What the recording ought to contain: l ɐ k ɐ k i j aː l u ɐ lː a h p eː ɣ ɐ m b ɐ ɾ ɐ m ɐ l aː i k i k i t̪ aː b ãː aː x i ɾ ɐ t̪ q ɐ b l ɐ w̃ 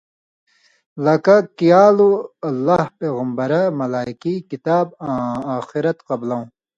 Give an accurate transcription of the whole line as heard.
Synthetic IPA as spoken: l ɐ k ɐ k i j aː l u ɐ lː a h p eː ɣ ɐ m b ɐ ɾ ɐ m ɐ l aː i k i k i t̪ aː b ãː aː x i ɾ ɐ t̪ q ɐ b l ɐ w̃